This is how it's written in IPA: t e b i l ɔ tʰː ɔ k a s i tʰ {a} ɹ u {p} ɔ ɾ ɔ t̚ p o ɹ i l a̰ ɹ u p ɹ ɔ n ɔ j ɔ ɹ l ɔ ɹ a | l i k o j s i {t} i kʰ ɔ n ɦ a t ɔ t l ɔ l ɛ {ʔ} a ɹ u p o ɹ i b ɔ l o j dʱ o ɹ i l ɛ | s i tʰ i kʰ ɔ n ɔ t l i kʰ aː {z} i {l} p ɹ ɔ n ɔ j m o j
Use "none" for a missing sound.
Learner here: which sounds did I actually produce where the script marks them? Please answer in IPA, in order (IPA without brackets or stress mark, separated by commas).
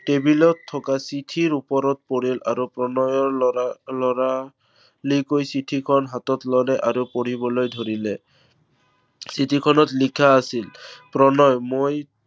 i, p, tʰ, ʔ, s, l